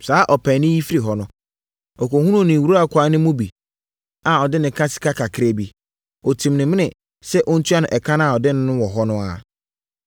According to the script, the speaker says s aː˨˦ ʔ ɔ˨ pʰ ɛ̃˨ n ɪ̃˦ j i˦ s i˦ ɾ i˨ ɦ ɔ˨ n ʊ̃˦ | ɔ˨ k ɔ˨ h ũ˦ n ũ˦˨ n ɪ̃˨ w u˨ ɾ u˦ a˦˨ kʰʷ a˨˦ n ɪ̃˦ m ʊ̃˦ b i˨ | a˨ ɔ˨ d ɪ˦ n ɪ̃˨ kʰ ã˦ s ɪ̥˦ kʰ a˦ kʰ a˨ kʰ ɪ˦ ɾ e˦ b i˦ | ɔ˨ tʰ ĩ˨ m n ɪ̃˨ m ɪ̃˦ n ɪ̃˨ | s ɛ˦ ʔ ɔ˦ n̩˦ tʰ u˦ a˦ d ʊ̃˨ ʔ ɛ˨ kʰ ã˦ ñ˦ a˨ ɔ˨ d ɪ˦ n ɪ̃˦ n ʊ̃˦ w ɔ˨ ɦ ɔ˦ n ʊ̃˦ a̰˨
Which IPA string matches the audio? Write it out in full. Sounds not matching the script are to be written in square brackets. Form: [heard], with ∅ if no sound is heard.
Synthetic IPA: s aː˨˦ ʔ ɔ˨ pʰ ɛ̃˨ n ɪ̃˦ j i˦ [f] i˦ ɾ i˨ ɦ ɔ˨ n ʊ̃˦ | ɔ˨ k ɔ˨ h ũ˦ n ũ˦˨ n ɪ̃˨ w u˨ ɾ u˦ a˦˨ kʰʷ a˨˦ n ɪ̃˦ m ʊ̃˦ b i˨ | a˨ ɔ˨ d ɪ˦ n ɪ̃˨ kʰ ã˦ s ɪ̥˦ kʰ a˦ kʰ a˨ kʰ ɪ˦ ɾ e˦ b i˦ | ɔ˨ tʰ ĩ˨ m n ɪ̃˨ m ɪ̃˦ n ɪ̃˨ | s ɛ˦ ʔ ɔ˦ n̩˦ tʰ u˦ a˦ [n] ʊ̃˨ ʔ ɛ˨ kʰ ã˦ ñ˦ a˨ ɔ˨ d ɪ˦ n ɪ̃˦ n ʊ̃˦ w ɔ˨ ɦ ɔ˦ n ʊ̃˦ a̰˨